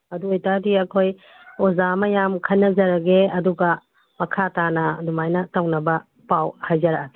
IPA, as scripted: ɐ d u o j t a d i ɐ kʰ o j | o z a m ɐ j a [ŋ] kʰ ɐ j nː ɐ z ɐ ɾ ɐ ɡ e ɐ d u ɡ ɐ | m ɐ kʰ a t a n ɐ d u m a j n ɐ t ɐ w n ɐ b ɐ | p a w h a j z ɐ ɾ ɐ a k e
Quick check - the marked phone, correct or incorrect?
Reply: incorrect